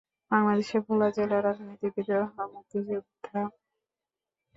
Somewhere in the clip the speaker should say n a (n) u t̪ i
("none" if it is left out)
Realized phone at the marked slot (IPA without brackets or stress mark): m